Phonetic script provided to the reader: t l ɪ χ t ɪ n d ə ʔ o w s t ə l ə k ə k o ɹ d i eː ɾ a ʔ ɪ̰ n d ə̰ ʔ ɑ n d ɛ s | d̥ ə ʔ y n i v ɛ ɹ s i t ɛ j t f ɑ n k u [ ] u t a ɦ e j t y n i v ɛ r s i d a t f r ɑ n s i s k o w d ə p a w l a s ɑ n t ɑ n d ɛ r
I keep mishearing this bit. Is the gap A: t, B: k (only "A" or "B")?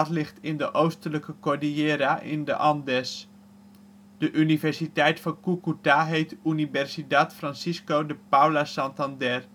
B